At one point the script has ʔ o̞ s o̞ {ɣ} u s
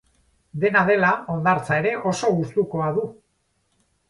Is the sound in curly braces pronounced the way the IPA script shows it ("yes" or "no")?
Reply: yes